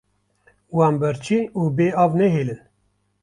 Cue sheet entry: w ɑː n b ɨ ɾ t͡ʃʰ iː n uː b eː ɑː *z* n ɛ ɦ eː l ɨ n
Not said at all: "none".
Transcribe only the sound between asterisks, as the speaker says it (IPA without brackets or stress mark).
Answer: v